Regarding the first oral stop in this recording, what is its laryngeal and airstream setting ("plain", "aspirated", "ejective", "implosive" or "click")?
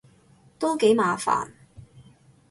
plain